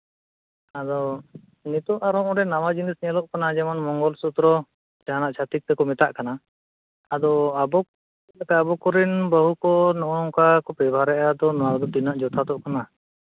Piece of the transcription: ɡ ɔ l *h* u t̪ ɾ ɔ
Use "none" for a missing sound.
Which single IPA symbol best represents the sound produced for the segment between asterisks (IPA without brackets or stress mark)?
s